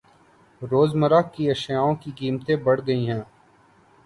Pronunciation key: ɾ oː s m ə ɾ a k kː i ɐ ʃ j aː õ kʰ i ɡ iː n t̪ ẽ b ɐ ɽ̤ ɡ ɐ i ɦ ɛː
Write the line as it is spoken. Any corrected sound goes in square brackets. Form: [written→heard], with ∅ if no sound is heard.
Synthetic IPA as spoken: ɾ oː [s→z] m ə ɾ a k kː i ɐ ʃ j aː õ [kʰ→k] i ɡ iː [n→m] t̪ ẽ b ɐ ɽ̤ ɡ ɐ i ɦ [ɛː→ɛ̃ː]